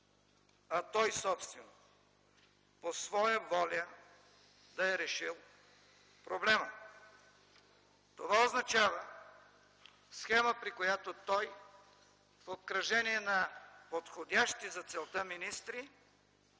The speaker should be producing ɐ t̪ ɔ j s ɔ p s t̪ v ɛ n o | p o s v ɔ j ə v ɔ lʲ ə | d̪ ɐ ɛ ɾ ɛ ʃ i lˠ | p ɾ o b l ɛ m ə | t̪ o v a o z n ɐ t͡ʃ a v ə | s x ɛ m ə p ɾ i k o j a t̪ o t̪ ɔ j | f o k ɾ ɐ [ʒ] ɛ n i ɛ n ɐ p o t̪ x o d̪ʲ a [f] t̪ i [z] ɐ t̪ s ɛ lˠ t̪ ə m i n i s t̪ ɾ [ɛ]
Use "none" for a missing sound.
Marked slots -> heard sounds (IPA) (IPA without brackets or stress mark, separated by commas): ʒ, ʃ, z, i